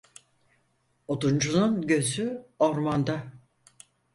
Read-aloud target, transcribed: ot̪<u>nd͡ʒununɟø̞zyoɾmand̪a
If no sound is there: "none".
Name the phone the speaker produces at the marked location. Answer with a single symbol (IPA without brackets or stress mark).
u